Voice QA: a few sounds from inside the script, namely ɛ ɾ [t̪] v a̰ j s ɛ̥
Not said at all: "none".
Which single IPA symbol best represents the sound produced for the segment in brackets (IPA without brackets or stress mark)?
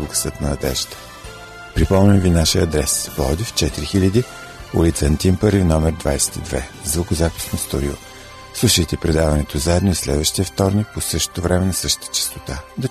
d̪